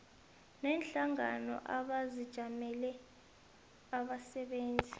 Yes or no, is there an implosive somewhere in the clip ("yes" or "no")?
yes